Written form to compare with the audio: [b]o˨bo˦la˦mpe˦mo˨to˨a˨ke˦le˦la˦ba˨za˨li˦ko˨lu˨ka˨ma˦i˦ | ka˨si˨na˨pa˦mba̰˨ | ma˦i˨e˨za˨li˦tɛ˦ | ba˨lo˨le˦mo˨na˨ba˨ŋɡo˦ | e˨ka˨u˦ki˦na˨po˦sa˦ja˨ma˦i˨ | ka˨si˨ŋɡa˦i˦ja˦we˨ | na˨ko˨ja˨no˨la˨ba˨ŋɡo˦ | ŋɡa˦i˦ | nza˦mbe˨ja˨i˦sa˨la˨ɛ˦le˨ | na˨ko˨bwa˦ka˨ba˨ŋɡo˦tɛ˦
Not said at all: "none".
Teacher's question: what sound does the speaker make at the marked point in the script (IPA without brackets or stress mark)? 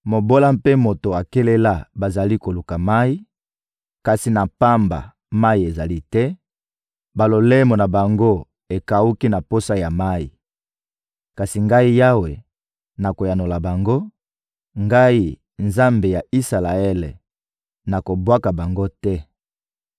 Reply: m